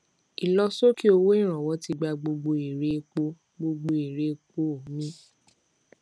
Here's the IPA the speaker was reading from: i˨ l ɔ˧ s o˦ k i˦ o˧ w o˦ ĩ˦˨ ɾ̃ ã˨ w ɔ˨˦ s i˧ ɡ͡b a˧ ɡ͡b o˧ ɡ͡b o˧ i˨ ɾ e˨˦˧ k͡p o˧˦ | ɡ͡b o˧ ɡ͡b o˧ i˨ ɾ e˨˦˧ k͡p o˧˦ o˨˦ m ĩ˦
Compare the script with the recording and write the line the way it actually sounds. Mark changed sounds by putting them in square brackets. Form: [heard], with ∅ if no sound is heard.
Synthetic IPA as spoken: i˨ l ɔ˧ s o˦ k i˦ o˧ w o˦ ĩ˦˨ ɾ̃ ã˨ w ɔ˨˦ [t] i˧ ɡ͡b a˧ ɡ͡b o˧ ɡ͡b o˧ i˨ ɾ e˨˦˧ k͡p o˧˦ | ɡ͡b o˧ ɡ͡b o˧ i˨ ɾ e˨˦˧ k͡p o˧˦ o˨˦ m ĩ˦